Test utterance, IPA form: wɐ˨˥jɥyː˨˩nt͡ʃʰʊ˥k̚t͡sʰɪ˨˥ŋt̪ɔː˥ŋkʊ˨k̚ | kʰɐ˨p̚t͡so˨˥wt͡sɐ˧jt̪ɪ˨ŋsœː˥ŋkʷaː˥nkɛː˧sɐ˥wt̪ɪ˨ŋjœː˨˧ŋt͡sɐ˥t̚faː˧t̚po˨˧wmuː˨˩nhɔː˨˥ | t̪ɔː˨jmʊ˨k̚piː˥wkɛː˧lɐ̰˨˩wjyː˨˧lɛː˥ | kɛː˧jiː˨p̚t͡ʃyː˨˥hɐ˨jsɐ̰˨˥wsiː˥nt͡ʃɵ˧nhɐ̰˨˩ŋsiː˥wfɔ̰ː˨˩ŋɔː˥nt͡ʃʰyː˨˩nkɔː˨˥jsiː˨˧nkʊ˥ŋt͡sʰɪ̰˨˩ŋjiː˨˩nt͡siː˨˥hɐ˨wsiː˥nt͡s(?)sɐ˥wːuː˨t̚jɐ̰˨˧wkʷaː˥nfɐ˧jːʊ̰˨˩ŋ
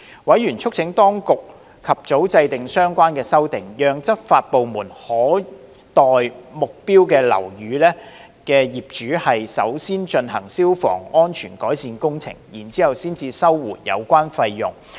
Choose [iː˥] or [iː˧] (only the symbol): iː˧